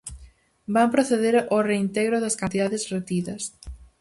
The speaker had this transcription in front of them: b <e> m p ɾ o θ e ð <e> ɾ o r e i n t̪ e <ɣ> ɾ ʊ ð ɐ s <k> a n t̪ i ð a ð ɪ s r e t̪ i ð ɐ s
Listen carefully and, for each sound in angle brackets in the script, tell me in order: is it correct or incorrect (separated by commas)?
incorrect, correct, correct, correct